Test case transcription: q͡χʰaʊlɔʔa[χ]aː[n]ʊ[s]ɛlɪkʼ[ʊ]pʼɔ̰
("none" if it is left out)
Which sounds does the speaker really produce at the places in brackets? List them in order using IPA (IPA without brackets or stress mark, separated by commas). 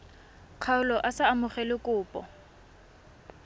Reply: s, m, χ, ʊː